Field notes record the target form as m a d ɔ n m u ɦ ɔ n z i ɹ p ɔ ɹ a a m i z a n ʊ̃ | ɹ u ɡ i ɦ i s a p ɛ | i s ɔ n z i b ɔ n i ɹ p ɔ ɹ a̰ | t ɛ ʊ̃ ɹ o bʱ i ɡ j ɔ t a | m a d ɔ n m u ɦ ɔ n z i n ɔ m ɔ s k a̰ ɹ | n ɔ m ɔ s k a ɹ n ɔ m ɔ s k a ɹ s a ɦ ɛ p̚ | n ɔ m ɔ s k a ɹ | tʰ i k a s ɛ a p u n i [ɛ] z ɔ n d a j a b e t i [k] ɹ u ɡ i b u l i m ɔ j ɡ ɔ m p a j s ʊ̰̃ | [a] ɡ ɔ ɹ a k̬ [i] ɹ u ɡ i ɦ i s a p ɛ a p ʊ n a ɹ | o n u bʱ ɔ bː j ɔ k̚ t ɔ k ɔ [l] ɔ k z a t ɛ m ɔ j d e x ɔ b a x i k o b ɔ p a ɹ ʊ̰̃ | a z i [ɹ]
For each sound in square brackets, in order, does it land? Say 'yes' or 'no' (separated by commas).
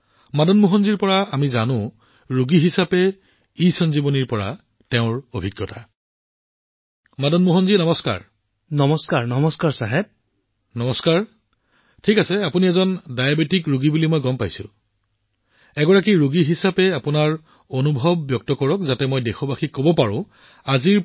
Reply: yes, yes, no, yes, no, yes